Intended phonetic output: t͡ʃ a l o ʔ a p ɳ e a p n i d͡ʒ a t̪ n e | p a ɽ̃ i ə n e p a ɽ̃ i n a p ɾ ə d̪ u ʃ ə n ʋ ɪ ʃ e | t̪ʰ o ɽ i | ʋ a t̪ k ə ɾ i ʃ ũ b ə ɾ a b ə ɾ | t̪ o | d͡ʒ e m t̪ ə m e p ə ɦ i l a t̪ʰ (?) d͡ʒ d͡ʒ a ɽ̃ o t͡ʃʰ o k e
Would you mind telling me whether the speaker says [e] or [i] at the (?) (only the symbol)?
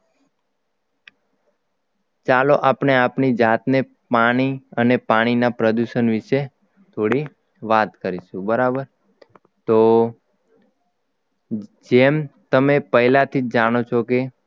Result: i